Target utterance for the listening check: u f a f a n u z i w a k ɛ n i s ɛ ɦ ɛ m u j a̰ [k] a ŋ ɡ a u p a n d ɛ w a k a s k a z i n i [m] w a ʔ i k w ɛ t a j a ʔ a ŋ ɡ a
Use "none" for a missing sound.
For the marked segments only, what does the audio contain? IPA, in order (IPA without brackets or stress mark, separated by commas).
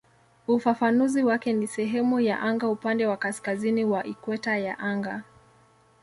ʔ, none